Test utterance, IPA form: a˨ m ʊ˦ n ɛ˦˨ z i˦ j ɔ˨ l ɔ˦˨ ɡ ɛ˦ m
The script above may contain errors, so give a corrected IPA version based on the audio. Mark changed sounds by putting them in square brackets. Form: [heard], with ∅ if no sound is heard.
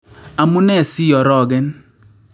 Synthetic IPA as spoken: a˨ m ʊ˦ n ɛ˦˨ [s] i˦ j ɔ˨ [ɾ] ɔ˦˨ ɡ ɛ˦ [n]